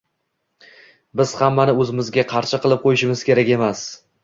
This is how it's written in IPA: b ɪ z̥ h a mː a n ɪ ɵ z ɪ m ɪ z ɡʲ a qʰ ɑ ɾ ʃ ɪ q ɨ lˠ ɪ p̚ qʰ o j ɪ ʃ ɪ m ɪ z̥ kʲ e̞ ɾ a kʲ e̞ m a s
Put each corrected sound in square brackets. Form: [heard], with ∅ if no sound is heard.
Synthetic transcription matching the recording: b ɪ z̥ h a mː a n ɪ ɵ z ɪ m ɪ z ɡʲ a qʰ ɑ ɾ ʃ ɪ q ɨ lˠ ɪ p̚ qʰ o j ɪ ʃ ɪ m ɪ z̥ kʲ e̞ ɾ a kʲ e̞ m a s

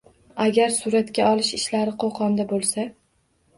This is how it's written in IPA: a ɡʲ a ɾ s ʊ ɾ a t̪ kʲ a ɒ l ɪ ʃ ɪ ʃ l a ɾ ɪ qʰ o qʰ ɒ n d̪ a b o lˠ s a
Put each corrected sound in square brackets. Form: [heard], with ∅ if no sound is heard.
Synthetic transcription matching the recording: a ɡʲ a ɾ s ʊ ɾ a t̪ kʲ a ɒ l ɪ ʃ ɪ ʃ l a ɾ ɪ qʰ o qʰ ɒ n d̪ a b o lˠ s a

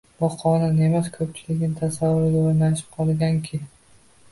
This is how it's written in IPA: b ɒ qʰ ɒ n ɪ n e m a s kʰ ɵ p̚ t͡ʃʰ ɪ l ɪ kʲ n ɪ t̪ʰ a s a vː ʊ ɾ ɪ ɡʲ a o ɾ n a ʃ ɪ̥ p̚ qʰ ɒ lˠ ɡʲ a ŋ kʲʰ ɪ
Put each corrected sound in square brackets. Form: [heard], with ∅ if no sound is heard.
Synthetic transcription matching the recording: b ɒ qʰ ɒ n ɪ n e m a s kʰ ɵ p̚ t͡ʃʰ ɪ l ɪ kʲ n ɪ t̪ʰ a s a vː ʊ ɾ ɪ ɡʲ a o ɾ n a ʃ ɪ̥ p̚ qʰ ɒ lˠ ɡʲ a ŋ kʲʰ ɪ

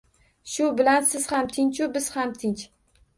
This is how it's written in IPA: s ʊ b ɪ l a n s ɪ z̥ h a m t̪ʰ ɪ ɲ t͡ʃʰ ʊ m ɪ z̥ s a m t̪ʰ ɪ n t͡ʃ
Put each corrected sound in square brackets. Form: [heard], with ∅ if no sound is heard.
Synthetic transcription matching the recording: [ʃ] ʊ b ɪ l a n s ɪ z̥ h a m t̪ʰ ɪ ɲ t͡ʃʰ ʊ [b] ɪ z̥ [h] a m t̪ʰ ɪ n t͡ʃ

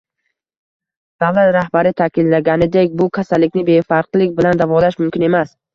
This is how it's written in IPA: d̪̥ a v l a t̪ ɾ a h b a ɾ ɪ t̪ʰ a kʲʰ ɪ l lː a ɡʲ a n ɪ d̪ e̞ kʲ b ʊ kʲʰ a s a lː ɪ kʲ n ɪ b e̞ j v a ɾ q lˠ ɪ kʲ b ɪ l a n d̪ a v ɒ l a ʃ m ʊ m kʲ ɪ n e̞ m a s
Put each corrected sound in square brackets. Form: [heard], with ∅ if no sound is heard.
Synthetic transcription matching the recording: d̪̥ a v l a t̪ ɾ a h b a ɾ ɪ t̪ʰ a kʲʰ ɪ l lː a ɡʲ a n ɪ d̪ e̞ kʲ b ʊ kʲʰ a s a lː ɪ kʲ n ɪ b e̞ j [f] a ɾ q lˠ ɪ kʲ b ɪ l a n d̪ a v ɒ l a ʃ m ʊ m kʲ ɪ n e̞ m a s

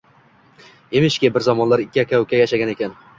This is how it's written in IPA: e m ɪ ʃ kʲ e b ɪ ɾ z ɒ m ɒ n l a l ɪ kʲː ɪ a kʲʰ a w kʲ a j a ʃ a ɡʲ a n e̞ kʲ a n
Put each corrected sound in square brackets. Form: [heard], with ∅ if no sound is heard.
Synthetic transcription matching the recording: e m ɪ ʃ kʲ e b ɪ ɾ z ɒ m ɒ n l a [ɾ] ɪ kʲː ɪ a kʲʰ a w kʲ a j a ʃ a ɡʲ a n e̞ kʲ a n

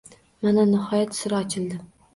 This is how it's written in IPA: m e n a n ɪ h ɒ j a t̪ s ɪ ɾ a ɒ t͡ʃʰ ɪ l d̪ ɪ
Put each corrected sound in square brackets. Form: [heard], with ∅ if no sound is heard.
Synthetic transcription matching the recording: m [a] n a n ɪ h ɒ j a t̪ s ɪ ɾ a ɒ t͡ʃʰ ɪ l d̪ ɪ

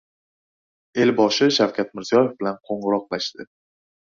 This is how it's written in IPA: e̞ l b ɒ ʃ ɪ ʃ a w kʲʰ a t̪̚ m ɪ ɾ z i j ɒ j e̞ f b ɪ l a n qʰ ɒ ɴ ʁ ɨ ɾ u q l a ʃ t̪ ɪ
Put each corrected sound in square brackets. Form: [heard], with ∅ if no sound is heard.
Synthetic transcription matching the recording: e̞ l b ɒ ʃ ɪ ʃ a w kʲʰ a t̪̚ m ɪ ɾ z i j ɒ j e̞ f b ɪ l a n qʰ [o] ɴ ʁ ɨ ɾ [ɒ] q l a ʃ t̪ ɪ

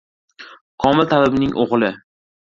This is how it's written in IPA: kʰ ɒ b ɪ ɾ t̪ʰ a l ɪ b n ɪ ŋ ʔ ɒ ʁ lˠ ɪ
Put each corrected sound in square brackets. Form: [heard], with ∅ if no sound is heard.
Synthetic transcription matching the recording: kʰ ɒ [m] ɪ [l] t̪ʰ a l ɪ b n ɪ ŋ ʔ [o] ʁ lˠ ɪ

